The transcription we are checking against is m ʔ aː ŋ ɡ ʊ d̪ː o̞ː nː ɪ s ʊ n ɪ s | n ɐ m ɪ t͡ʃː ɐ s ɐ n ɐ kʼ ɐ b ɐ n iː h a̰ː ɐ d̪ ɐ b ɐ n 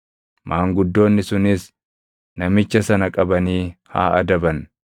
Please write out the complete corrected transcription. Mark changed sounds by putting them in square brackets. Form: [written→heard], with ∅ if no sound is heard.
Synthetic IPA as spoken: m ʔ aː ŋ ɡ ʊ d̪ː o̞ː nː ɪ s ʊ n ɪ s | n ɐ m ɪ t͡ʃː ɐ s ɐ n ɐ kʼ ɐ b ɐ n iː h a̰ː ɐ d̪ ɐ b ɐ n